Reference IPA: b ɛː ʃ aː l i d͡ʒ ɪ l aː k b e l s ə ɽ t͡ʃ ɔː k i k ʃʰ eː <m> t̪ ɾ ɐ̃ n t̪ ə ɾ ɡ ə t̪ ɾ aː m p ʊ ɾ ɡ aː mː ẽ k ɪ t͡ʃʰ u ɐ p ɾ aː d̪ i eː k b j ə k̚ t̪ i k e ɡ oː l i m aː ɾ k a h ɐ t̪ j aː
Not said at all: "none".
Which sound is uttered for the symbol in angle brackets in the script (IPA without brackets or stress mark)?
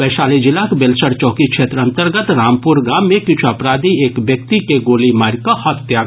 none